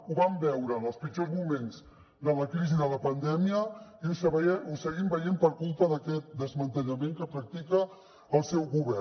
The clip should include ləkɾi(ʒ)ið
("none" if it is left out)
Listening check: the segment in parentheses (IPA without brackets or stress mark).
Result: z